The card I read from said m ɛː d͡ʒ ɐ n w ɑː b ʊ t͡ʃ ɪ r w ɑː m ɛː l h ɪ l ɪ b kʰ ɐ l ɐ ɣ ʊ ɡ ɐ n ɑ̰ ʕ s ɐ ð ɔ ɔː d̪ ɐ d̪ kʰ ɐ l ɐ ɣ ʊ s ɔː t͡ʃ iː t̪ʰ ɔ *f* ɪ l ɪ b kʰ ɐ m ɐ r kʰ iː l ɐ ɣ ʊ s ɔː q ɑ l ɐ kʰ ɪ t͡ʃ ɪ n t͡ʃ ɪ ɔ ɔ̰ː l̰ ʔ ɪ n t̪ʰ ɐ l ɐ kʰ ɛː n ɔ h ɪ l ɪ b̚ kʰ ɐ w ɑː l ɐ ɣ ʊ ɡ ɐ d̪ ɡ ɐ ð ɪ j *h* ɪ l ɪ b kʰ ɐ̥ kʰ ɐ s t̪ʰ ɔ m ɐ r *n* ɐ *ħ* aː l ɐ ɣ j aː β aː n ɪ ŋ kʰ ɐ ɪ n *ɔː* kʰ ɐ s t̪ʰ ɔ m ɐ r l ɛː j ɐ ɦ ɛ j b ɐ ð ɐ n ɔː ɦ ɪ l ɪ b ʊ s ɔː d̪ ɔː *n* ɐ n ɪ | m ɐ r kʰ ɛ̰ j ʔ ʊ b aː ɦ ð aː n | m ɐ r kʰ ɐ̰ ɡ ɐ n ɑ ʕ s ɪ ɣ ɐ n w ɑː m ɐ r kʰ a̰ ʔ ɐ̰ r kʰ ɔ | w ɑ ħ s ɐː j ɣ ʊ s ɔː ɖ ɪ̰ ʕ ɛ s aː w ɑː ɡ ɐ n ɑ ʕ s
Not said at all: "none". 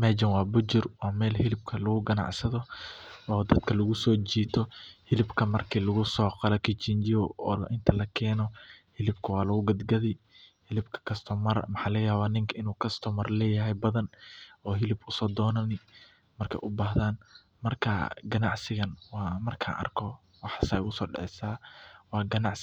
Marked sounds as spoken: h, h, m, ħ, uː, n

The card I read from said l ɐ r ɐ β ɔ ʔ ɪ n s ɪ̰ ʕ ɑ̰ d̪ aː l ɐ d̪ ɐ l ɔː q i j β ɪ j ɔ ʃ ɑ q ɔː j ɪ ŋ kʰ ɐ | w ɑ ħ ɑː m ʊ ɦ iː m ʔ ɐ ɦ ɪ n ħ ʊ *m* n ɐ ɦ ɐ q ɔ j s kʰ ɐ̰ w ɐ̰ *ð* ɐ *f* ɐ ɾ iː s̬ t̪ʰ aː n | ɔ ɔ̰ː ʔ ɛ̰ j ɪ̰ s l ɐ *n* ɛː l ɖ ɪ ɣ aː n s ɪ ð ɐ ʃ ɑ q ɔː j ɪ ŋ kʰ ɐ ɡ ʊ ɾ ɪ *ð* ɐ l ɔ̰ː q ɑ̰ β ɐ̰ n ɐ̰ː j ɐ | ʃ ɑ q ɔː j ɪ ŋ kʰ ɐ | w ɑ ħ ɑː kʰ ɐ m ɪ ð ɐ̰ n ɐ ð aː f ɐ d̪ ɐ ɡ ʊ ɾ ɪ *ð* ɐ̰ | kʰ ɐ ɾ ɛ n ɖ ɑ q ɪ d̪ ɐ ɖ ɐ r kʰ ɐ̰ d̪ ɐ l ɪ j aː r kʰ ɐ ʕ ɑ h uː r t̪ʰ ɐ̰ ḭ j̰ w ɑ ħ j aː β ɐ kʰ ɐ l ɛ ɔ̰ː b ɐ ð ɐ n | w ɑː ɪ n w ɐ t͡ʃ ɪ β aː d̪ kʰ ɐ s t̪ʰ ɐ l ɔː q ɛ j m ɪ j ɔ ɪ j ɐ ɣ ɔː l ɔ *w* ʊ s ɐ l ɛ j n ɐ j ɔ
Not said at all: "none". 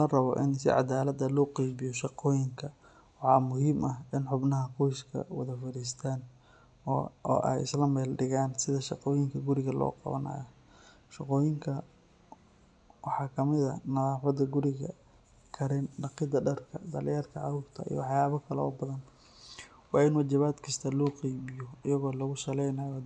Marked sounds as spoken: b, ð, f, m, ɣ, ɣ, ɣ

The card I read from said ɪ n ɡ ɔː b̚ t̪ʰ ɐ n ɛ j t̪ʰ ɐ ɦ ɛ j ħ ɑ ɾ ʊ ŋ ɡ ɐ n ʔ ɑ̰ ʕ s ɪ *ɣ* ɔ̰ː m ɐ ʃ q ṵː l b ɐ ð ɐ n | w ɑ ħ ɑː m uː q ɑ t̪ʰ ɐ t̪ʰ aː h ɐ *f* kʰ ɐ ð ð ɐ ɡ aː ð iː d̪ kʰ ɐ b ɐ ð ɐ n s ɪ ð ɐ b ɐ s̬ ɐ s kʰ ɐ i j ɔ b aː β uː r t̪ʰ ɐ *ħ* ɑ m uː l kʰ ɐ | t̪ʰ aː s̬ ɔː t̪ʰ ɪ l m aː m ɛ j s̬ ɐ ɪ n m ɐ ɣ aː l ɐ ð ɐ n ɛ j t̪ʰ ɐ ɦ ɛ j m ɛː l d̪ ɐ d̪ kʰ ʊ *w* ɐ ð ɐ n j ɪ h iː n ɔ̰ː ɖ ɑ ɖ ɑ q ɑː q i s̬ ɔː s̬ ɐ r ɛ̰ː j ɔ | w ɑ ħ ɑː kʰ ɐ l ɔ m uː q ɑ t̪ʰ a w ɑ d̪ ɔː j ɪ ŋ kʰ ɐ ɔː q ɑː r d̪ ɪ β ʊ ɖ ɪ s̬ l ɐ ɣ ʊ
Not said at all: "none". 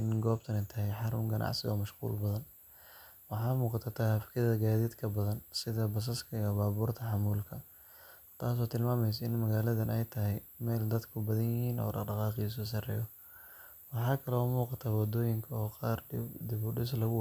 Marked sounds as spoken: ɣ, f, ħ, b

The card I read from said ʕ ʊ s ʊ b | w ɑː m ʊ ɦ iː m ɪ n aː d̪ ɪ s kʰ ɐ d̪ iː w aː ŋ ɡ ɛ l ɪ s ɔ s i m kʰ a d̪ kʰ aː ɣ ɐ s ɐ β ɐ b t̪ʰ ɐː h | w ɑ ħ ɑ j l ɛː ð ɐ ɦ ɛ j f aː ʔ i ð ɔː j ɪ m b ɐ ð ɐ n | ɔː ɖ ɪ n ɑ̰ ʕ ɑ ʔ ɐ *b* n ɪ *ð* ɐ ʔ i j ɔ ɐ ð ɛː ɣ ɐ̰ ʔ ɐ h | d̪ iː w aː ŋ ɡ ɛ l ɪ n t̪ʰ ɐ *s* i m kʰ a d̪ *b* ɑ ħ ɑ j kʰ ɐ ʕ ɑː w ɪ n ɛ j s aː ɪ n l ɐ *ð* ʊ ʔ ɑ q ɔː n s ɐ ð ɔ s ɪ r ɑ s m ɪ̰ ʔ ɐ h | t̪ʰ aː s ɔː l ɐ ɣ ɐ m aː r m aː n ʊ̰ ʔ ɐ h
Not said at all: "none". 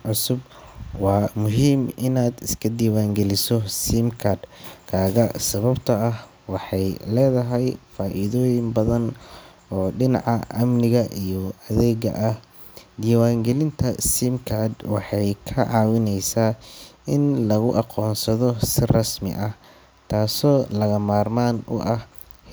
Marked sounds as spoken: m, ɣ, s, w, ɣ

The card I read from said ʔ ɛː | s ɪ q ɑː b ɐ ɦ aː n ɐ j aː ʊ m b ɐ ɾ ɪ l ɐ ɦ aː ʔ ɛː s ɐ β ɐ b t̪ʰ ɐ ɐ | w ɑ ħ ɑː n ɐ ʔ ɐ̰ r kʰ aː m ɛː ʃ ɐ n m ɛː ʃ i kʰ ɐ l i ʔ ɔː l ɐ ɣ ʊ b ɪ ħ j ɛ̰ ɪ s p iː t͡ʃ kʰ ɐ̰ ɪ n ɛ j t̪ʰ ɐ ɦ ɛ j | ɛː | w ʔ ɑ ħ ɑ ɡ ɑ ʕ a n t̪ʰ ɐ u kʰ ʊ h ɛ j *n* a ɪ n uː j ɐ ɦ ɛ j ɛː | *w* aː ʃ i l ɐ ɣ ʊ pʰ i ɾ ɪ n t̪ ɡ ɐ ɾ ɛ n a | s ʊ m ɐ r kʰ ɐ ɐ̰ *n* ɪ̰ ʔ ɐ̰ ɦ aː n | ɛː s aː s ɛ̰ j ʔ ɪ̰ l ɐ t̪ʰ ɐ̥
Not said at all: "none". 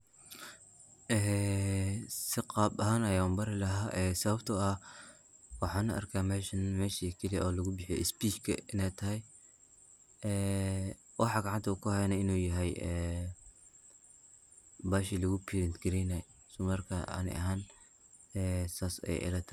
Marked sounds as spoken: n, b, n

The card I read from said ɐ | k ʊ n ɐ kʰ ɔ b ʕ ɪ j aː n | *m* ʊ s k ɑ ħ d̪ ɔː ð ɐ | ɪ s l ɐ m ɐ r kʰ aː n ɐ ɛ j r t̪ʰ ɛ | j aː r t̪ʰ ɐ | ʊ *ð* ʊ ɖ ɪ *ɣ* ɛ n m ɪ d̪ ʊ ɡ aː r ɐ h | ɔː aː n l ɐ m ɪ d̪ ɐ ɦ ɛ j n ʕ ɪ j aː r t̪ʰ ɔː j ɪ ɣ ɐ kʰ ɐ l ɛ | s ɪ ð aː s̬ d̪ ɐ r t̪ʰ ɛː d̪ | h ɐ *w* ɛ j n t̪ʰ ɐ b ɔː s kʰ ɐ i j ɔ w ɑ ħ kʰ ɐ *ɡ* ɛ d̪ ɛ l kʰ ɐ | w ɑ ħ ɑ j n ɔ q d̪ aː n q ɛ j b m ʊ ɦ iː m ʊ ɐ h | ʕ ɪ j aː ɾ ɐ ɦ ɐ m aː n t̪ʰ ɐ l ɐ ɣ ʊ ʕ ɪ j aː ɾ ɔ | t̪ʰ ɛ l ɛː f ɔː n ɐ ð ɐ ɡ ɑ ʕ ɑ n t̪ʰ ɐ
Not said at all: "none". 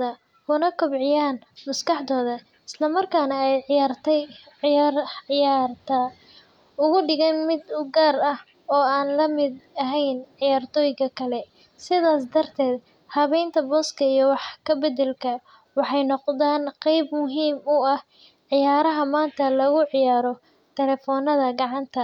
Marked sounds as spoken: m, ɣ, ɣ, β, b

